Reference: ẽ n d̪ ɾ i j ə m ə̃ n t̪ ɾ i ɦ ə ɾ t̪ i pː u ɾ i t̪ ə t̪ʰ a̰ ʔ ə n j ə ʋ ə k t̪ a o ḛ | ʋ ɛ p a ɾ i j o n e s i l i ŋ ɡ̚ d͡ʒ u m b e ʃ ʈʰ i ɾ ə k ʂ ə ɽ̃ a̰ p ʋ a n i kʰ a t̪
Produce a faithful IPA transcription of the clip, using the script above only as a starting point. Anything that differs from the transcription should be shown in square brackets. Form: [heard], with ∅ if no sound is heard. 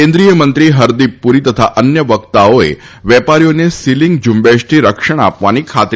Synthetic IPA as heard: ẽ n d̪ ɾ i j ə m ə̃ n t̪ ɾ i ɦ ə ɾ [d̪] i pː u ɾ i t̪ ə t̪ʰ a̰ ʔ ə n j ə ʋ ə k t̪ a o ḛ | ʋ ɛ p a ɾ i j o n e s i l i ŋ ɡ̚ d͡ʒ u m b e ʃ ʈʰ i ɾ ə k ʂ ə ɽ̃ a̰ p ʋ a n i kʰ a t̪